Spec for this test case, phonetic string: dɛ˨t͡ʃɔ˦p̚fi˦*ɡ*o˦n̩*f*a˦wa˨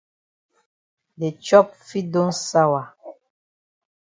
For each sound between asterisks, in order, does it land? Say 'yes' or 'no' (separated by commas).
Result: no, no